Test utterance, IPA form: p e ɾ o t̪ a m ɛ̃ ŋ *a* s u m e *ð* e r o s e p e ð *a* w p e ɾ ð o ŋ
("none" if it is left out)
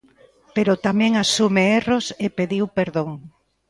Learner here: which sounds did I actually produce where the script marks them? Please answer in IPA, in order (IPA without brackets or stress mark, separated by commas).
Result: a, none, i